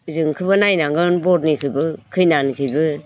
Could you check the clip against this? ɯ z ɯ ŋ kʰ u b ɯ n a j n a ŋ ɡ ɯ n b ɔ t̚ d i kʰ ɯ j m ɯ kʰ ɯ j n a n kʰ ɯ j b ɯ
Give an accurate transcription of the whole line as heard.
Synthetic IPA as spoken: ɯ z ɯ ŋ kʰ ɯ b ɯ n a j n a ŋ ɡ ɯ n b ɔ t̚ n i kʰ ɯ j b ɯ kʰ ɯ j n a n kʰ ɯ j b ɯ